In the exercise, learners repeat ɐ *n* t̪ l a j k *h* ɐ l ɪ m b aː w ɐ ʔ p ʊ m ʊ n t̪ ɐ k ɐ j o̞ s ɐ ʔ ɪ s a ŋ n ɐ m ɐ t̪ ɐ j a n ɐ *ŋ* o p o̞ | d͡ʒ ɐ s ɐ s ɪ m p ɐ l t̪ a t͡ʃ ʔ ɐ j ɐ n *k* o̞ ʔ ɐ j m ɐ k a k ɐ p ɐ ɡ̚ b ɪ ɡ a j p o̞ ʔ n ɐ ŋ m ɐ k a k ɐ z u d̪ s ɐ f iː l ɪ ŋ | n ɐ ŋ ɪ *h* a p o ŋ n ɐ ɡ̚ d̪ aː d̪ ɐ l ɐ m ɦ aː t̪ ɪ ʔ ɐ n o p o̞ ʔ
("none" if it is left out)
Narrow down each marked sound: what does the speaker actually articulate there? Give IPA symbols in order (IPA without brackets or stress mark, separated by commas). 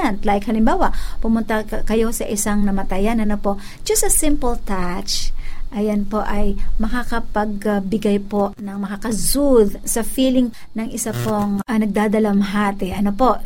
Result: n, h, n, p, s